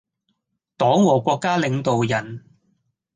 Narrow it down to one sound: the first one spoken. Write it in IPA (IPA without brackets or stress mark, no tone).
t̪